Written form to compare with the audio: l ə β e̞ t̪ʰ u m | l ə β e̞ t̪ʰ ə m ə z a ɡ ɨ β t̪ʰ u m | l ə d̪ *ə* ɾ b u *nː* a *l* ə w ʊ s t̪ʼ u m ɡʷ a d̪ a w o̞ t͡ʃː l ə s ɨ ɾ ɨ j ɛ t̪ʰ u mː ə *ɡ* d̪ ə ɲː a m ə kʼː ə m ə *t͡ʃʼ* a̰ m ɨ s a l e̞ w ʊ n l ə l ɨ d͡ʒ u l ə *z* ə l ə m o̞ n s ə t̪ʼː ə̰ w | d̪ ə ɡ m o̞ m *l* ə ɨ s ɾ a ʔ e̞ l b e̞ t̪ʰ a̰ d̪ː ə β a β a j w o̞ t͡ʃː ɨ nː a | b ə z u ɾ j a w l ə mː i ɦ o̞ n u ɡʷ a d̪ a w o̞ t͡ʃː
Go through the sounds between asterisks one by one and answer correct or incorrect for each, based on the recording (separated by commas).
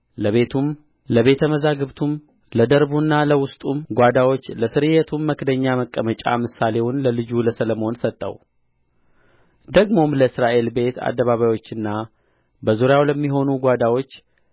correct, correct, correct, incorrect, correct, incorrect, correct